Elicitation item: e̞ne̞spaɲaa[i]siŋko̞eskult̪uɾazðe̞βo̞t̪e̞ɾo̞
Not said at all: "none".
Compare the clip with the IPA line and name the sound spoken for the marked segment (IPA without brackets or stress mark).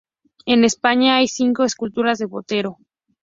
j